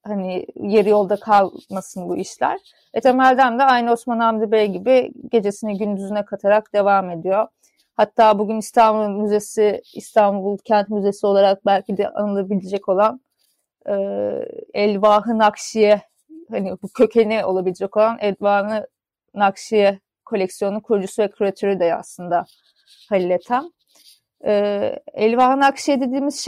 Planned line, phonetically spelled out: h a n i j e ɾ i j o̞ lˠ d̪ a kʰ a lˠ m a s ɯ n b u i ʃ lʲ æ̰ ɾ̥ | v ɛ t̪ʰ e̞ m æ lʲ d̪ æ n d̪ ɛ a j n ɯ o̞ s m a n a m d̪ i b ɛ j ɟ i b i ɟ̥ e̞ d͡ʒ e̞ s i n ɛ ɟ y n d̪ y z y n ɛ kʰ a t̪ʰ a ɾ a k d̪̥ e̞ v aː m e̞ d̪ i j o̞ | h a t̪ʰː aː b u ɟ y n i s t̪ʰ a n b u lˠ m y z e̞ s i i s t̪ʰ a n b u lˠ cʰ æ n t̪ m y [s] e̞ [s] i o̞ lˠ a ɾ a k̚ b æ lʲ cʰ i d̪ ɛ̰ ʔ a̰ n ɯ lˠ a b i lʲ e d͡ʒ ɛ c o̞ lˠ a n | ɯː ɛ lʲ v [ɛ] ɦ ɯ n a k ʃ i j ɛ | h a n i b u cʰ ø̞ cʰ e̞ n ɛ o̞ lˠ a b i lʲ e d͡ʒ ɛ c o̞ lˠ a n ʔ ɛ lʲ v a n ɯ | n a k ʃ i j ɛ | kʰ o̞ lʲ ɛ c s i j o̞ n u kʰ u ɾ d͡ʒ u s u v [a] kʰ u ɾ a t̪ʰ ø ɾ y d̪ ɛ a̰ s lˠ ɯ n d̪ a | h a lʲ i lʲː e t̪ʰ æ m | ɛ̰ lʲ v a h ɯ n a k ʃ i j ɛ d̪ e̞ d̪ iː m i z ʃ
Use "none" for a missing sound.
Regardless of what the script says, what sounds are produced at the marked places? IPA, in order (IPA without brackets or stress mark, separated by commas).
z, s, a, ɛ